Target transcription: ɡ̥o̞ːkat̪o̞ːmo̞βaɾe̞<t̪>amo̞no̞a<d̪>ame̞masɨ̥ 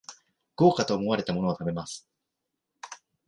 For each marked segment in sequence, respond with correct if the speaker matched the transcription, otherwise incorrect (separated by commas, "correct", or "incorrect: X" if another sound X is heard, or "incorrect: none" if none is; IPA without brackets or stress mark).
correct, incorrect: t̪